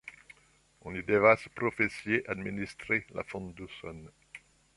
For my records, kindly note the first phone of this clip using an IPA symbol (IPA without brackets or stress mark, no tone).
ɔ̃